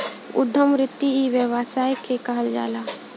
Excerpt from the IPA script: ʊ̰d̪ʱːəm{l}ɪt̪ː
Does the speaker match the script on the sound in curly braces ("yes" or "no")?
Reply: no